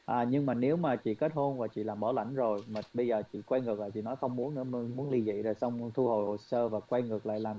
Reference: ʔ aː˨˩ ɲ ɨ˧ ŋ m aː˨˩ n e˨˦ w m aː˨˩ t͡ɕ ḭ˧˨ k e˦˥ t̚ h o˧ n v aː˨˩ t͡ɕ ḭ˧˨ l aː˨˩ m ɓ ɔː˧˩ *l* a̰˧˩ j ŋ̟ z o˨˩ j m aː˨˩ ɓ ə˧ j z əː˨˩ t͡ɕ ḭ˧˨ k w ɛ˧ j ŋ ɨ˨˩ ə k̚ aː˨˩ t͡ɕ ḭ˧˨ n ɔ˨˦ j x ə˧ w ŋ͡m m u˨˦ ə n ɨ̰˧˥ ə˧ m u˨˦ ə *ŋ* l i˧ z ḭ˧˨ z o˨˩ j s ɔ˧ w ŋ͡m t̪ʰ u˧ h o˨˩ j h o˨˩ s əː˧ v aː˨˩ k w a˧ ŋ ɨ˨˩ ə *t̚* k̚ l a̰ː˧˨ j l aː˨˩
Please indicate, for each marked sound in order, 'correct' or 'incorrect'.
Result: correct, incorrect, incorrect

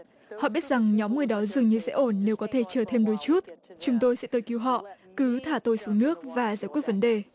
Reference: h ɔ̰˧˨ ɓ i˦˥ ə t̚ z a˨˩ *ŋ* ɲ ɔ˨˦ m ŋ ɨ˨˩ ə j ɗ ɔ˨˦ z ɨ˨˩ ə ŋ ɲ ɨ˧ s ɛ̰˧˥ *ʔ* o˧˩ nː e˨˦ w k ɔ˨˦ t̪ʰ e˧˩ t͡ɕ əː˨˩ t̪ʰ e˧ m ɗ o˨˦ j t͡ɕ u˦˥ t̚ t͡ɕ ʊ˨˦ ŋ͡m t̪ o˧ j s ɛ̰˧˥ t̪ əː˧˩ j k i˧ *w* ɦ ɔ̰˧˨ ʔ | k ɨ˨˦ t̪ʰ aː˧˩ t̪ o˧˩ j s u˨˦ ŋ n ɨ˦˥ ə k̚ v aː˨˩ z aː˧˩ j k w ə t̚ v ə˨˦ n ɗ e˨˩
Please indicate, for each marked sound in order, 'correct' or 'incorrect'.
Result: correct, correct, correct

